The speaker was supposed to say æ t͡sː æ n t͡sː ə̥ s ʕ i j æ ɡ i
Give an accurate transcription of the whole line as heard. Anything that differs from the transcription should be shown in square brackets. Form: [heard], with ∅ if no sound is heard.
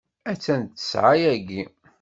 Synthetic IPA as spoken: æ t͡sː æ n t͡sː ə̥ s ʕ [a] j æ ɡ i